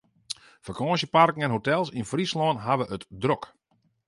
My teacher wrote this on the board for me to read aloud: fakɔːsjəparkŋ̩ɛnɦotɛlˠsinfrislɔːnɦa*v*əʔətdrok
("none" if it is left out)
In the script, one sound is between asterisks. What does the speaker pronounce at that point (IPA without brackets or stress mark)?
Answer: ʋ